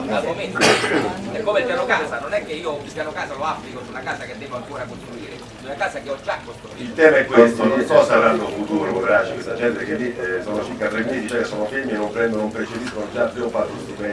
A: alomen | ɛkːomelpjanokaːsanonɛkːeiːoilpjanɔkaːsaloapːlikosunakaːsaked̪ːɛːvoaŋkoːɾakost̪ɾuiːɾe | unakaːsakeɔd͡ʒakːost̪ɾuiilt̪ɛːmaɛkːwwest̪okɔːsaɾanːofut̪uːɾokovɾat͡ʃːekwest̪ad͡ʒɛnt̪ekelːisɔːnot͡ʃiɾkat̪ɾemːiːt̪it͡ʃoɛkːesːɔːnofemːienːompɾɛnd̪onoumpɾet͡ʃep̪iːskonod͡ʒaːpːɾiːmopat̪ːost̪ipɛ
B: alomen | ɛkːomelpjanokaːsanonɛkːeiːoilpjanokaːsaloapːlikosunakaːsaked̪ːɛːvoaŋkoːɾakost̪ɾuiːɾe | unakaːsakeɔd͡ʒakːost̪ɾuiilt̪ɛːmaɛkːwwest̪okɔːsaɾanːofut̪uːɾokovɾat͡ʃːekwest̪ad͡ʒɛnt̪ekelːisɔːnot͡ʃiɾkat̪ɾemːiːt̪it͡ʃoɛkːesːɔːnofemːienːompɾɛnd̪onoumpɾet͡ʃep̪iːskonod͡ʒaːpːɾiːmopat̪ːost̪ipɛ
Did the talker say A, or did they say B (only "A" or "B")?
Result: B